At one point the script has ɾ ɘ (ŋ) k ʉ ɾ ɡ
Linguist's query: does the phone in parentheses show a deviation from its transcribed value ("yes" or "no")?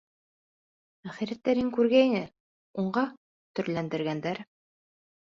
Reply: no